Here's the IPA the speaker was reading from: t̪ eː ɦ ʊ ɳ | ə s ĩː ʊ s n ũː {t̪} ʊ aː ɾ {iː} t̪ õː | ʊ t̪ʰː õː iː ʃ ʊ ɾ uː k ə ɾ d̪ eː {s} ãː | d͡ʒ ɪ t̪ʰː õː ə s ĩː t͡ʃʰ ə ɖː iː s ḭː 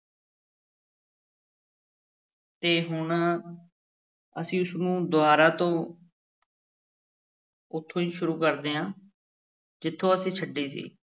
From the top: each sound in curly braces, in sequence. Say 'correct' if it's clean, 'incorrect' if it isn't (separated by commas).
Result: incorrect, incorrect, incorrect